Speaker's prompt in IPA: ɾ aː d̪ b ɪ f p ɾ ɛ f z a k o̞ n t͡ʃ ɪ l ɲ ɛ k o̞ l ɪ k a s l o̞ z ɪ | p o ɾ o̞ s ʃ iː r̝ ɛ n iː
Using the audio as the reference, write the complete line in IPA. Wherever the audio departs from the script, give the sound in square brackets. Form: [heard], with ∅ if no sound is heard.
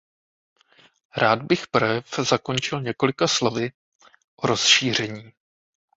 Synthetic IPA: ɾ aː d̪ b ɪ [x] p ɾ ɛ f z a k o̞ n t͡ʃ ɪ l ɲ ɛ k o̞ l ɪ k a s l o̞ [v] ɪ | [ʔ] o ɾ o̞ s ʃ iː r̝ ɛ [ɲ] iː